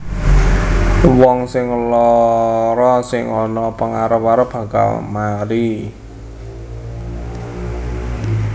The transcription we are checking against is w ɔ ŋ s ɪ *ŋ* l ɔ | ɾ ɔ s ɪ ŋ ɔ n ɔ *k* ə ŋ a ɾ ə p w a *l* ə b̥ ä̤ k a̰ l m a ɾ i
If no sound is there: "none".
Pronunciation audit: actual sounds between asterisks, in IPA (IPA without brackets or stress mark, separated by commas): ŋ, p, ɾ